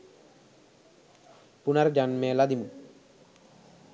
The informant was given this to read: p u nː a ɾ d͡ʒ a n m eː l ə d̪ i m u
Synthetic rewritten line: p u n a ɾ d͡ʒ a n m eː l a d̪ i m u